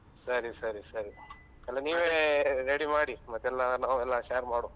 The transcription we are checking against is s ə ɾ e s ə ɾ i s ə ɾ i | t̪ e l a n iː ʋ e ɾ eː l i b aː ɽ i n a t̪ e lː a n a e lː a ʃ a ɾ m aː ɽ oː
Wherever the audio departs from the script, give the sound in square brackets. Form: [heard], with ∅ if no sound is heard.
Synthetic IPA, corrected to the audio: s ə ɾ [i] s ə ɾ i s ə ɾ i | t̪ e l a n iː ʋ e ɾ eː [ɽ] i [m] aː ɽ i [m] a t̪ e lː a n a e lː a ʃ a ɾ m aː ɽ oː